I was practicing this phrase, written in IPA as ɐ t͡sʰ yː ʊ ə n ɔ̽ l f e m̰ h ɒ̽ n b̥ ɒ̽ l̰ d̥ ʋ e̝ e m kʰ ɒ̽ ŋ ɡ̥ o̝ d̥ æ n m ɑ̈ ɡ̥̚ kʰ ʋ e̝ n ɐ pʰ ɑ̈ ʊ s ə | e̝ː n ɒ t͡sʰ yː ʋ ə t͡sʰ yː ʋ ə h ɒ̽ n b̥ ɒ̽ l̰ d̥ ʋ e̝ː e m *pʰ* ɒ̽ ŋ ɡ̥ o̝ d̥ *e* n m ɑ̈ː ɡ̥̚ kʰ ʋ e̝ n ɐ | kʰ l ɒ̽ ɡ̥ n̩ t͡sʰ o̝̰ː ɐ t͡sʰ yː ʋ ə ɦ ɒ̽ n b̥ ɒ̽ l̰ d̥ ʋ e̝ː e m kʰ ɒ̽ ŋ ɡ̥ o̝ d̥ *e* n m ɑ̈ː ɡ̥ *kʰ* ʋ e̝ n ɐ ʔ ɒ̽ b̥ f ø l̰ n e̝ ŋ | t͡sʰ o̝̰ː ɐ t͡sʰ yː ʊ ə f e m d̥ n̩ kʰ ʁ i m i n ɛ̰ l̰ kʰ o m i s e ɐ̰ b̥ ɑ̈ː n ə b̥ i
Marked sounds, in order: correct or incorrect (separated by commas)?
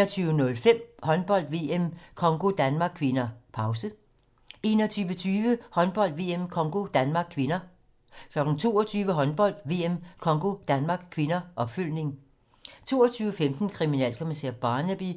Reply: incorrect, incorrect, incorrect, correct